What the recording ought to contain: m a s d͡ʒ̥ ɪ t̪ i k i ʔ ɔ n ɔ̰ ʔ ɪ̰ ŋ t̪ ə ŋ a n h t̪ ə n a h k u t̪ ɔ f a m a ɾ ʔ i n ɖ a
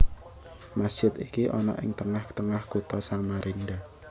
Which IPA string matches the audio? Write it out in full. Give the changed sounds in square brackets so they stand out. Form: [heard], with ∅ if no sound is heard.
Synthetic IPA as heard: m a s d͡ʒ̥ ɪ t̪ i k i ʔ ɔ n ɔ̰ ʔ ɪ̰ ŋ t̪ ə ŋ a [∅] h t̪ ə [ŋ] a h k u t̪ ɔ [s] a m a ɾ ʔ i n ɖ a